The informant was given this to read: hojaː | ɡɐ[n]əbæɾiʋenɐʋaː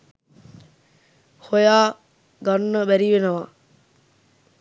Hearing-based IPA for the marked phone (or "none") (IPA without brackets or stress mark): nː